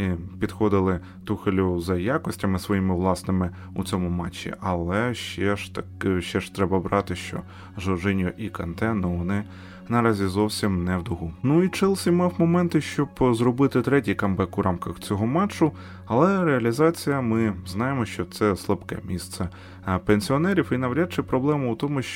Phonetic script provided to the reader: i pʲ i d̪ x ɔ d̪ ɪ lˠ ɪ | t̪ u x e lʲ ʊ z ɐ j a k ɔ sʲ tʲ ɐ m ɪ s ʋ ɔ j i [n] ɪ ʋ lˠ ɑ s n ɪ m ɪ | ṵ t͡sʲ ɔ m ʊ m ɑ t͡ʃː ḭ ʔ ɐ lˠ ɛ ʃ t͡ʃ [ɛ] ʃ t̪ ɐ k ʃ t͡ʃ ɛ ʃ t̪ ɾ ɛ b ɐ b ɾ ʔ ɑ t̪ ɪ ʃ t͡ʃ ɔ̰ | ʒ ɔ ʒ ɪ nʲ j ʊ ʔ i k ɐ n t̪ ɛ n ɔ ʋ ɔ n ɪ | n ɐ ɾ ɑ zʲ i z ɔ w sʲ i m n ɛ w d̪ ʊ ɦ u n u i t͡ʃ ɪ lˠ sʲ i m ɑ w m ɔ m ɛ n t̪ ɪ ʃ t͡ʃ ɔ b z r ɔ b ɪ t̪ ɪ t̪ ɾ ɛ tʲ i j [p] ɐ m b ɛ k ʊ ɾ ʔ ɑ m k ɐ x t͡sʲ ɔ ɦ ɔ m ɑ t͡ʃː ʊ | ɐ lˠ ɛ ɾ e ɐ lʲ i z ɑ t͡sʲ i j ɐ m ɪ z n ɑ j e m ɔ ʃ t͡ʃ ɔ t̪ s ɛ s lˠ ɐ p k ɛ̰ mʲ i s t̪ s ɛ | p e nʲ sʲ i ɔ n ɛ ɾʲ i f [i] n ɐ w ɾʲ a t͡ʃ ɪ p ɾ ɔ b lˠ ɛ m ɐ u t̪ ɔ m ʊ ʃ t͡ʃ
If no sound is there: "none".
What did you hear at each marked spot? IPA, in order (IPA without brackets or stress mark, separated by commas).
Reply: m, ɛ, k, i